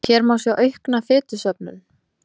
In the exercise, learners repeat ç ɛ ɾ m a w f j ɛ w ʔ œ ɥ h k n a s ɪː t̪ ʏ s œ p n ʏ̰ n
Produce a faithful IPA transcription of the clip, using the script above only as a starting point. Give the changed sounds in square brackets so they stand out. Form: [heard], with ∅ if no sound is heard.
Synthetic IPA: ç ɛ ɾ m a w [s] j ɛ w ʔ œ ɥ h k n a [f] ɪː t̪ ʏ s œ p n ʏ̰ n